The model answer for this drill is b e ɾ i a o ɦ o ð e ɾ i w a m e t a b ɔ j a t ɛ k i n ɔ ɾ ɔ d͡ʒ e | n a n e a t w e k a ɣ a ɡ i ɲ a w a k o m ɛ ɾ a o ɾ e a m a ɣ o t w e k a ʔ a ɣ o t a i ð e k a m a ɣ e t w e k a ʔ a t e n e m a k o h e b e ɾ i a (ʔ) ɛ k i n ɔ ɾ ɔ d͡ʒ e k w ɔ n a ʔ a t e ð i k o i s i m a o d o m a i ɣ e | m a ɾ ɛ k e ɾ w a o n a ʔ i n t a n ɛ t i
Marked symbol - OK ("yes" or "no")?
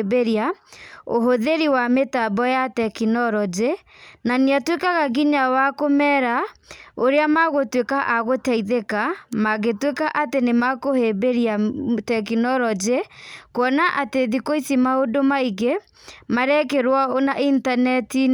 no